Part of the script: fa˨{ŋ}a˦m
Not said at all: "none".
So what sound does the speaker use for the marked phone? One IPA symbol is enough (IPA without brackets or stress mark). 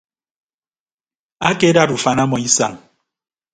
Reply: n